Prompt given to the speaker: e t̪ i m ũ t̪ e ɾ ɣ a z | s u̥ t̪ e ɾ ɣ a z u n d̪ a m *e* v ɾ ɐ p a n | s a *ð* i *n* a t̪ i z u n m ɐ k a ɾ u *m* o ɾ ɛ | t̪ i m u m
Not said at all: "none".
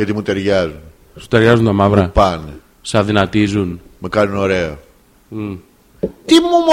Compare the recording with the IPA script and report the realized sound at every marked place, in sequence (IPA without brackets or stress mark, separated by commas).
a, ð, n, n